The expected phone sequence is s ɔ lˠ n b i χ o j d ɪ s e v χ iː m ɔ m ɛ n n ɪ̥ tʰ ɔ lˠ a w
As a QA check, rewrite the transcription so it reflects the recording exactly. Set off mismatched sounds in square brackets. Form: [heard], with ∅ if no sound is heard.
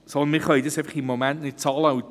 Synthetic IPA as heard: s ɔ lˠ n [m] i χ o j d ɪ s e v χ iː m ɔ m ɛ n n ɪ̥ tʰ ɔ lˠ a w

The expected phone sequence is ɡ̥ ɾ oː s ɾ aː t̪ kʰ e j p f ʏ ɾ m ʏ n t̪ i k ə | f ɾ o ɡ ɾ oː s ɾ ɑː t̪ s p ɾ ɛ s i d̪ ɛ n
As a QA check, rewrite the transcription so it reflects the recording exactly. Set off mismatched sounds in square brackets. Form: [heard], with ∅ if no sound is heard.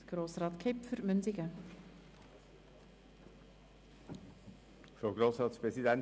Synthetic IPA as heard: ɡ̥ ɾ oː s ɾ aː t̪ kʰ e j p f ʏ ɾ m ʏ n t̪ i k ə | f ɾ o ɡ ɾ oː s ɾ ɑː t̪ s p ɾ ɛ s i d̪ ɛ n

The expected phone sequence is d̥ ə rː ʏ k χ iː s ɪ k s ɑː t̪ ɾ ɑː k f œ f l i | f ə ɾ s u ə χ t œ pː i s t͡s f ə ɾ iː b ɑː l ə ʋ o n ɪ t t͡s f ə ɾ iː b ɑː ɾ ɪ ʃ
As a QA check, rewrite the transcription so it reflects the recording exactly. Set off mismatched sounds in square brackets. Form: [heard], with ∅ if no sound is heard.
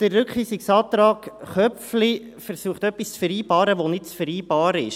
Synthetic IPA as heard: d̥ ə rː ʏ k χ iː s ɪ k s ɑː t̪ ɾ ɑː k [χ] œ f l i | f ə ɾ s u ə χ t œ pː i s t͡s f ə ɾ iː b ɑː [ɾ] ə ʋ o n ɪ t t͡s f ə ɾ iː b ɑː ɾ ɪ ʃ

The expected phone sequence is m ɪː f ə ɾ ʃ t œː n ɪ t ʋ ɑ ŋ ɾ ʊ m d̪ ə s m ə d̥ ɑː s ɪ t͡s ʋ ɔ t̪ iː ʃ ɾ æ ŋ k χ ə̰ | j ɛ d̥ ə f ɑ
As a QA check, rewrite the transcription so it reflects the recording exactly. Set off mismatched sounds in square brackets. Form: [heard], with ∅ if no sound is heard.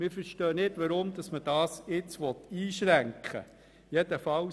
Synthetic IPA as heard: m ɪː f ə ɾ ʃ t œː n ɪ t ʋ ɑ [∅] ɾ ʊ m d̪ [ɑ] s m ə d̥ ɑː s ɪ t͡s ʋ ɔ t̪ iː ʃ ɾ æ ŋ k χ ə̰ | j ɛ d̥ ə f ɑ

